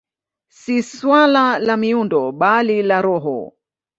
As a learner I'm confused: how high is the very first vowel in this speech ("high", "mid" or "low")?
high